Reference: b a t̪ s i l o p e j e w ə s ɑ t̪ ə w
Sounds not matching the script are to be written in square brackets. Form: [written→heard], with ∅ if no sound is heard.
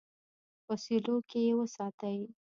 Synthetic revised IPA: [b→w] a [t̪→∅] s i l o [p→k] e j e w ə s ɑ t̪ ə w